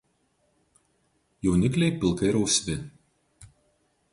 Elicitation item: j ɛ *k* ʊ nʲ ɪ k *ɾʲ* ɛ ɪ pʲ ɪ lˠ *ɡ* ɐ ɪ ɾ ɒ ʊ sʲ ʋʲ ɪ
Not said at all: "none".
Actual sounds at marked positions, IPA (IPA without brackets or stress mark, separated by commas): none, lʲ, k